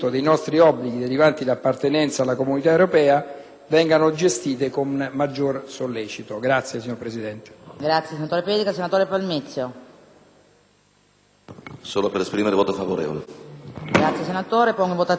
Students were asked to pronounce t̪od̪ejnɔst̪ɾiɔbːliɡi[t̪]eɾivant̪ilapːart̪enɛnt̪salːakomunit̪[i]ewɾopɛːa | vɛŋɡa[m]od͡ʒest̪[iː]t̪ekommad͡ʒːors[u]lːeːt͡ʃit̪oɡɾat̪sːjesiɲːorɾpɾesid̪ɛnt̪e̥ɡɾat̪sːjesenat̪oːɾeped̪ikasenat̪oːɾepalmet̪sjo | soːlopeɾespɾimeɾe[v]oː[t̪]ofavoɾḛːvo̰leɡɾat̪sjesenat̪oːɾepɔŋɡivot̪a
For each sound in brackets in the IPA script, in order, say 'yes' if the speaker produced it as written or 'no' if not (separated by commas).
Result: no, no, no, yes, no, yes, yes